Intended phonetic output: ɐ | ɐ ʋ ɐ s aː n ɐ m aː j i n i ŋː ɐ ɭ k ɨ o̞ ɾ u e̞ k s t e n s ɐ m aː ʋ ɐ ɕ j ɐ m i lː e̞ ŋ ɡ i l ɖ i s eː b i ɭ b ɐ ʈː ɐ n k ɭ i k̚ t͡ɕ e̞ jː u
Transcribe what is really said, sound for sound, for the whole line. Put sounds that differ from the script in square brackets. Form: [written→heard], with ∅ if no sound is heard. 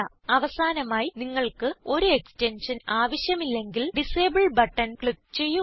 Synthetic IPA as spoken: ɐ | ɐ ʋ ɐ s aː n ɐ m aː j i n i ŋː ɐ ɭ k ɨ o̞ ɾ u e̞ k s t e n [s→ʂ] ɐ [m→n] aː ʋ ɐ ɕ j ɐ m i lː e̞ ŋ ɡ i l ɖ i s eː b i ɭ b ɐ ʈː ɐ n k ɭ i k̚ t͡ɕ e̞ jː u